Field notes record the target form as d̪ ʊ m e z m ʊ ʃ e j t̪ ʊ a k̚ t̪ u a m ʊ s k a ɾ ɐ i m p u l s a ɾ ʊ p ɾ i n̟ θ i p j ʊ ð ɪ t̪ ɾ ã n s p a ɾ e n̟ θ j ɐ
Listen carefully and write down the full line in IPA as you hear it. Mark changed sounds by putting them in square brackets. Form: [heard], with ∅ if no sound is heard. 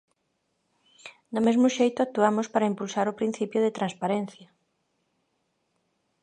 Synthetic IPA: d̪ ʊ m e z m ʊ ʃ e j t̪ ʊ a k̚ t̪ u a m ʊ s [p] a ɾ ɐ i m p u l s a ɾ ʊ p ɾ i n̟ θ i p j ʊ ð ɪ t̪ ɾ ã n s p a ɾ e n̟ θ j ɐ